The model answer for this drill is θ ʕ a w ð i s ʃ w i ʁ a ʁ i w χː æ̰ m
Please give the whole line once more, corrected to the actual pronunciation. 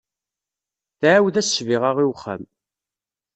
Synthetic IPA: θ ʕ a w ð æ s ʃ v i ʁ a ʁ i w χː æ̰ m